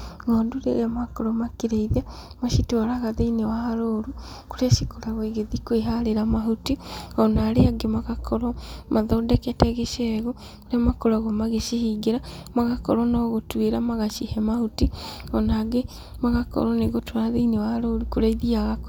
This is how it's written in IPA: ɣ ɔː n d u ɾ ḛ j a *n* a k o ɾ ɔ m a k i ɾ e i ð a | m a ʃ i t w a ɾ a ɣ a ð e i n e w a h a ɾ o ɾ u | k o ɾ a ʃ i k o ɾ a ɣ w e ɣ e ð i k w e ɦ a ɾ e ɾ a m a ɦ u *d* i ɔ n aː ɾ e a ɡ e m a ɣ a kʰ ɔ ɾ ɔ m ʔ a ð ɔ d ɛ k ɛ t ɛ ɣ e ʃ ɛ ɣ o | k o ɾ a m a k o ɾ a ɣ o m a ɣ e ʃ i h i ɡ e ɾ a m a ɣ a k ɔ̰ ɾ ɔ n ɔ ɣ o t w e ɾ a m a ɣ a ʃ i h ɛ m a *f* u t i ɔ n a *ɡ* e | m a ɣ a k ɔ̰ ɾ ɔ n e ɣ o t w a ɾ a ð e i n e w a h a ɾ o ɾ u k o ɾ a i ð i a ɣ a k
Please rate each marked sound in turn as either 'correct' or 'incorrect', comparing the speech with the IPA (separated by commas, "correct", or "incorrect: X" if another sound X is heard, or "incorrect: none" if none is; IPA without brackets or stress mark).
incorrect: m, incorrect: t, incorrect: h, correct